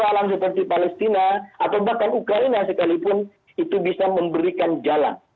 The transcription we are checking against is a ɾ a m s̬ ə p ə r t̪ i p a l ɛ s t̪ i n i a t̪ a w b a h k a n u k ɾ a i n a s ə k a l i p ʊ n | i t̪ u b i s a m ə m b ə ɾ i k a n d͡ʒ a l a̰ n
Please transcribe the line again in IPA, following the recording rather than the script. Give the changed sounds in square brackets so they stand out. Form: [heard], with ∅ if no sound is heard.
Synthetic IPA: a [l] a m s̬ ə p ə r t̪ i p a l ɛ s t̪ i n [a] a t̪ a w b a h k a n u k ɾ a i n a s ə k a l i p ʊ n | i t̪ u b i s a m ə m b ə ɾ i k a n d͡ʒ a l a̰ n

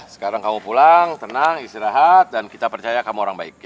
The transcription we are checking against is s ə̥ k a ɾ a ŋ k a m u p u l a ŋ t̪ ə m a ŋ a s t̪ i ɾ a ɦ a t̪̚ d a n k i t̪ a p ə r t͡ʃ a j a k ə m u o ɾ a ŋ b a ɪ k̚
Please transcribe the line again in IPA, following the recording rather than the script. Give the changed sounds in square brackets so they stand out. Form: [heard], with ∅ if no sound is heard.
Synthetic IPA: s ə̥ k a ɾ a ŋ k a m u p u l a ŋ t̪ ə [n] a ŋ [i] s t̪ i ɾ a ɦ a t̪̚ d a n k i t̪ a p ə r t͡ʃ a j a k [a] m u o ɾ a ŋ b a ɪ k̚

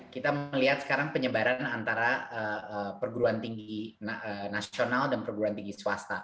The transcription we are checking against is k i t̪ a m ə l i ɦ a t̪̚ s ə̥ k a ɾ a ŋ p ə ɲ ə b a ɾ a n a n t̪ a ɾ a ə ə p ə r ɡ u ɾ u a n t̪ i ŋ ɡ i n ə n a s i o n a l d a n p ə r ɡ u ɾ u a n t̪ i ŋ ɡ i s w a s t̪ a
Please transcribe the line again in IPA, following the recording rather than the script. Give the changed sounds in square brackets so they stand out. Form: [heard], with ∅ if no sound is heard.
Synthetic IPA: k i t̪ a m ə l i ɦ a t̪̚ s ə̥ k a ɾ a ŋ p ə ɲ ə b a ɾ a n a n t̪ a ɾ a ə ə p ə r ɡ u ɾ u a n t̪ i ŋ ɡ i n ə n a s i o n a l d a n p ə r ɡ u ɾ u a n t̪ i ŋ ɡ i s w a s t̪ a

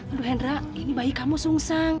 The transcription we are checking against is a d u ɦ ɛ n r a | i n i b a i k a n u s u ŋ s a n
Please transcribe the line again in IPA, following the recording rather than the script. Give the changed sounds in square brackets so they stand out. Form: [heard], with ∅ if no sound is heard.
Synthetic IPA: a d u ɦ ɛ n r a | i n i b a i k a [m] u s u ŋ s a [ŋ]

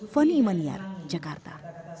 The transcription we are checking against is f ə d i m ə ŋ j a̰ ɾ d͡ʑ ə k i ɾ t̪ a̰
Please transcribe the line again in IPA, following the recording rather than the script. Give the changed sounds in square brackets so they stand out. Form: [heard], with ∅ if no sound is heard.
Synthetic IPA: f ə [n] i m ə [n] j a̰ ɾ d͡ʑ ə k [a] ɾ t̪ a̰

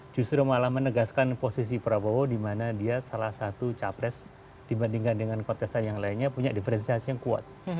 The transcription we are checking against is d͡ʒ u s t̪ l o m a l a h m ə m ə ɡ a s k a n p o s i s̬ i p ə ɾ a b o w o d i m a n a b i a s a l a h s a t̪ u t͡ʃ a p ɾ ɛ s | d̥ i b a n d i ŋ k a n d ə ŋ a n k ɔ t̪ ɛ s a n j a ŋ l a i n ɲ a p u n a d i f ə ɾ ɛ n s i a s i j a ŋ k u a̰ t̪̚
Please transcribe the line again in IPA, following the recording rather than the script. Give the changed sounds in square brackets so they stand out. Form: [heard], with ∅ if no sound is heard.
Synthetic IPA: d͡ʒ u s t̪ [ɾ] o m a l a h m ə [n] ə ɡ a s k a n p o s i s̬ i p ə ɾ a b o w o d i m a n a [d] i a s a l a h s a t̪ u t͡ʃ a p ɾ ɛ s | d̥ i b a n d i ŋ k a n d ə ŋ a n k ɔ t̪ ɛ s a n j a ŋ l a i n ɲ a p u [ɲ] a d i f ə ɾ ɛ n s i a s i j a ŋ k u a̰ t̪̚

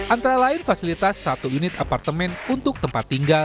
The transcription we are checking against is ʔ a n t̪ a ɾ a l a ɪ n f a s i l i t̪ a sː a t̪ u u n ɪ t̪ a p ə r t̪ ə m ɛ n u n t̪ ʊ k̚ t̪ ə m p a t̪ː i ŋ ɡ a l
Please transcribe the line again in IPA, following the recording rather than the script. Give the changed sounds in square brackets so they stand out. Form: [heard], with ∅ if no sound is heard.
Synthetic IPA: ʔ a n t̪ a ɾ a l a ɪ n f a s i l i t̪ a sː a t̪ u u n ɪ t̪ a p [a] r t̪ ə m ɛ n u n t̪ ʊ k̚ t̪ ə m p a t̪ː i ŋ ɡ a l

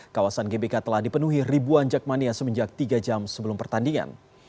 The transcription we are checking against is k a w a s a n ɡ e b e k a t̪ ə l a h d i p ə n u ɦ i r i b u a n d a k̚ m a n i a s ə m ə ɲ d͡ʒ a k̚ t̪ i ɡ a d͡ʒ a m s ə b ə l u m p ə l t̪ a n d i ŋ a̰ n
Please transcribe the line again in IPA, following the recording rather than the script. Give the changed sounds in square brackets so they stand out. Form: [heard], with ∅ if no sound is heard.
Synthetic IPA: k a w a s a n ɡ e b e k a t̪ ə l a h d i p ə n u ɦ i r i b u a n [d͡ʒ] a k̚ m a n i a s ə m ə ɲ d͡ʒ a k̚ t̪ i ɡ a d͡ʒ a m s ə b ə l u m p ə [r] t̪ a n d i ŋ a̰ n

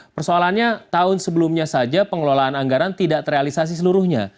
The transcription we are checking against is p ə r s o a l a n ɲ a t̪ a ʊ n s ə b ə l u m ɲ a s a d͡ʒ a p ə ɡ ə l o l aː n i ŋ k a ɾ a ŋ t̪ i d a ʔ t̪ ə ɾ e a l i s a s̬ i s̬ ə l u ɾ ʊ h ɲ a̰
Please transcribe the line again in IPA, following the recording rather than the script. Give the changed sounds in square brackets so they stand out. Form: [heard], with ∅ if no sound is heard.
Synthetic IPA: p ə r s o a l a n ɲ a t̪ a ʊ n s ə b ə l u m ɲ a s a d͡ʒ a p ə [ŋ] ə l o l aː n [a] ŋ [ɡ] a ɾ a [n] t̪ i d a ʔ t̪ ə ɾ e a l i s a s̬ i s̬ ə l u ɾ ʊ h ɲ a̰

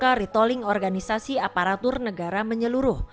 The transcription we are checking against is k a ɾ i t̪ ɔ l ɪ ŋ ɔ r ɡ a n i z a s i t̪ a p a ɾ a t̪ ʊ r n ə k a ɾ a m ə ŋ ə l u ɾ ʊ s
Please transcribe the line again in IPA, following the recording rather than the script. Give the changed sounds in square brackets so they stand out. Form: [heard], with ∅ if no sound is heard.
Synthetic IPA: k a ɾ i t̪ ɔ l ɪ ŋ ɔ r ɡ a n i [s] a s i [∅] a p a ɾ a t̪ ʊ r n ə [ɡ] a ɾ a m ə [ɲ] ə l u ɾ ʊ [h]

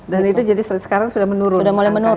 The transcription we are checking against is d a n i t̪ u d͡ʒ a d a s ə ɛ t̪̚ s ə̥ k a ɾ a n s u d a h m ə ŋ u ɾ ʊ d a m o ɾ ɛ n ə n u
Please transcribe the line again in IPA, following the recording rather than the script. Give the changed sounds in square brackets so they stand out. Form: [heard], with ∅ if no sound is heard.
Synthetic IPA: d a n i t̪ u d͡ʒ a d [i] s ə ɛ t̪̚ s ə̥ k a ɾ a [ŋ] s u d a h m ə [n] u ɾ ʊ d a m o [l] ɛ [m] ə n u

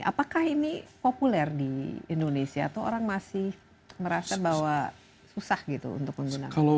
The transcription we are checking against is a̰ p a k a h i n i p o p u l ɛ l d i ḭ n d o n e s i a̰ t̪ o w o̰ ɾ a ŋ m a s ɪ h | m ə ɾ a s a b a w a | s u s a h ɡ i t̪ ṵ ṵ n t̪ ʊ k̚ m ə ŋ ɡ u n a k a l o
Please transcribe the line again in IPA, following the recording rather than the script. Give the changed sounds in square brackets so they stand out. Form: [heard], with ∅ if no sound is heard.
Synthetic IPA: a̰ p a k a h i n i p o p u l ɛ [r] d i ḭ n d o n e s i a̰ t̪ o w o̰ ɾ a ŋ m a s ɪ h | m ə ɾ a s a b a w a | s u s a h ɡ i t̪ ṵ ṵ n t̪ ʊ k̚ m ə ŋ ɡ u n a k a l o

